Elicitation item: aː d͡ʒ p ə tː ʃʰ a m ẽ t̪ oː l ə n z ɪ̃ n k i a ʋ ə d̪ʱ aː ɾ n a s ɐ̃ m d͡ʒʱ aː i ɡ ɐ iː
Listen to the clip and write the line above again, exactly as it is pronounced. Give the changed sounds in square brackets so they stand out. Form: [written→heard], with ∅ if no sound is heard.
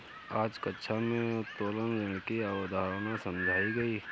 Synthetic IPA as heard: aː d͡ʒ [p→k] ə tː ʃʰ a m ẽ t̪ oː l ə n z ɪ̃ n k i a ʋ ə d̪ʱ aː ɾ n a s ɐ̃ m d͡ʒʱ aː i ɡ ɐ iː